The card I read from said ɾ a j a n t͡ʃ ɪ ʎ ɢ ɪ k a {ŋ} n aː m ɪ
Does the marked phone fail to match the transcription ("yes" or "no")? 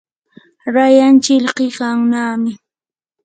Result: no